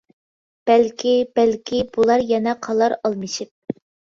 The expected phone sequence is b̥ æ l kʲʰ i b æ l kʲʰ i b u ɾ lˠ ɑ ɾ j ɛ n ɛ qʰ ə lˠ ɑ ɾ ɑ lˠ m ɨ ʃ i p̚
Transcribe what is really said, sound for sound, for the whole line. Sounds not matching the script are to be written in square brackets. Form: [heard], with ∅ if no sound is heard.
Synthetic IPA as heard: b̥ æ l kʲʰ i b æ l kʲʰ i b u [∅] lˠ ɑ ɾ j ɛ n ɛ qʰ [ɑ] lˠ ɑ ɾ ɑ lˠ m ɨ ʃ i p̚